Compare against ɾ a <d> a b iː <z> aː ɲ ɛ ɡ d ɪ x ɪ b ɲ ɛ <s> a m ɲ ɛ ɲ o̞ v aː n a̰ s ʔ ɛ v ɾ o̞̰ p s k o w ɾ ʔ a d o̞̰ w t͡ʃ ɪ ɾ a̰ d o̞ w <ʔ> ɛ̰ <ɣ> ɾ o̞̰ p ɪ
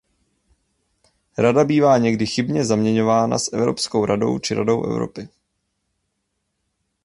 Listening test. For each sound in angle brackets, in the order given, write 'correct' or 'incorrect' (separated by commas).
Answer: correct, incorrect, incorrect, correct, incorrect